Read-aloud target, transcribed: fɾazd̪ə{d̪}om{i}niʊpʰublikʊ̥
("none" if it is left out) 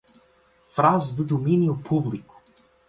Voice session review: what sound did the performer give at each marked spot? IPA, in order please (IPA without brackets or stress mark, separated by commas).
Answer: d̪, i